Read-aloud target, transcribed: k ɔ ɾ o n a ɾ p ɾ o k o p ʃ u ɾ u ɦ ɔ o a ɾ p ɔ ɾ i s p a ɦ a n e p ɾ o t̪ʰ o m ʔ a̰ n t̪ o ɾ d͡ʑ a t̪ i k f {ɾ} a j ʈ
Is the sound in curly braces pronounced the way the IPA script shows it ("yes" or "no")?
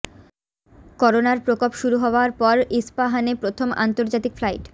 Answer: no